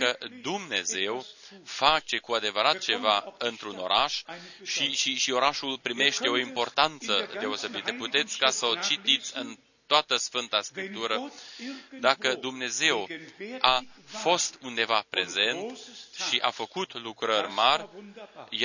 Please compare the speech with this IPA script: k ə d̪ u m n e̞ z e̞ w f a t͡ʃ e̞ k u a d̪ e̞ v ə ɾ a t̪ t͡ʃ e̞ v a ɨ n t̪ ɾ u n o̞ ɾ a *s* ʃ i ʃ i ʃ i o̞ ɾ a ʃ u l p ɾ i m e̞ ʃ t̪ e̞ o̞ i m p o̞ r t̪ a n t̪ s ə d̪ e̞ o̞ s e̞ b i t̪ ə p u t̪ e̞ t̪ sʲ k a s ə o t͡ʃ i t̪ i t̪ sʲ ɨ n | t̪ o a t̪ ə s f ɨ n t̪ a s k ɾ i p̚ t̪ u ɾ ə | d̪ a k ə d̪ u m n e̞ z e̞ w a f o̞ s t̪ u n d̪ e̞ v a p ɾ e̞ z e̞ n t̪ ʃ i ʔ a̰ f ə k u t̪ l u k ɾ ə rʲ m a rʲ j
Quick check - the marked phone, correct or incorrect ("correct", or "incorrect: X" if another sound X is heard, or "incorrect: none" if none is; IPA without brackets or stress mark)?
incorrect: ʃ